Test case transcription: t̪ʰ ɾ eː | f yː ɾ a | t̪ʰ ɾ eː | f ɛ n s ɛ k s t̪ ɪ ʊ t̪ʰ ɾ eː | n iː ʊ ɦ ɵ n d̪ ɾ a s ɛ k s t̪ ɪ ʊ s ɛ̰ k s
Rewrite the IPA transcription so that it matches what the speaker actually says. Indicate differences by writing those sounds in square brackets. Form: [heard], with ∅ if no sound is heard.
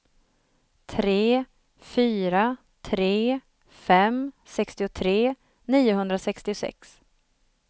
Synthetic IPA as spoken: t̪ʰ ɾ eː | f yː ɾ a | t̪ʰ ɾ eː | f ɛ [m] s ɛ k s t̪ ɪ ʊ t̪ʰ ɾ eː | n iː ʊ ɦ ɵ n d̪ ɾ a s ɛ k s t̪ ɪ ʊ s ɛ̰ k s